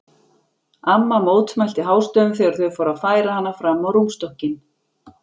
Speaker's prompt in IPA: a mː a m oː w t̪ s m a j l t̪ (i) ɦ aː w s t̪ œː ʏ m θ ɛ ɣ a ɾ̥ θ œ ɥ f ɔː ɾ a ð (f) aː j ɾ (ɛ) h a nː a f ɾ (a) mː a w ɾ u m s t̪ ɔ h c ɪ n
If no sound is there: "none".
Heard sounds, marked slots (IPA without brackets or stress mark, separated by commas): ɪ, f, a, a